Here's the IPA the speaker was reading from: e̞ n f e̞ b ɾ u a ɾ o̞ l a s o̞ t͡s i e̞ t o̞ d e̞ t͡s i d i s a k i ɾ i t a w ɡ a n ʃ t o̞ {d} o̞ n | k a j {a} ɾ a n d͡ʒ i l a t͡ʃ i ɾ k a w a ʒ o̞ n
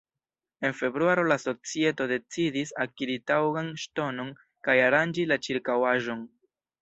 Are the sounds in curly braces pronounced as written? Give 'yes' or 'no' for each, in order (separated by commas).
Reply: no, yes